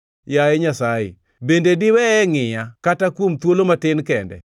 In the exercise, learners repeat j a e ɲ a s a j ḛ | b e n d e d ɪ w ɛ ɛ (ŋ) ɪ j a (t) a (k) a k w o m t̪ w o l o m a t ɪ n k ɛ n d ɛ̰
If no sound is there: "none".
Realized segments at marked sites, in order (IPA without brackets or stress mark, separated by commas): ŋ, k, t